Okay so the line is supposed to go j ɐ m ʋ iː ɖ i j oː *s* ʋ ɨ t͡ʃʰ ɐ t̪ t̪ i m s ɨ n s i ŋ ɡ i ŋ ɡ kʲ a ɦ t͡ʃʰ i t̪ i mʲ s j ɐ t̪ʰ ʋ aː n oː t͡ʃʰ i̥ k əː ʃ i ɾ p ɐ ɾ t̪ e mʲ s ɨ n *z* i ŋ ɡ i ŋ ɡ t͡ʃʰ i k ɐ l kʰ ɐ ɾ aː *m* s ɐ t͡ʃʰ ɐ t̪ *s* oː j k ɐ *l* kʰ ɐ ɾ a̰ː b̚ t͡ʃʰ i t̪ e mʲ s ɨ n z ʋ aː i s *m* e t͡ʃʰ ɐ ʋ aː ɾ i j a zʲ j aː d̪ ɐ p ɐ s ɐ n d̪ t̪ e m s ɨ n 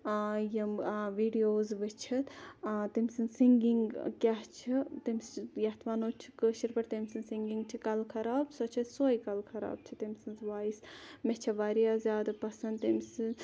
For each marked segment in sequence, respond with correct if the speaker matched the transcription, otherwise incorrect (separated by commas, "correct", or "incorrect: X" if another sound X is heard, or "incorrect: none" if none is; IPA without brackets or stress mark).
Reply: incorrect: z, incorrect: s, incorrect: b, correct, correct, correct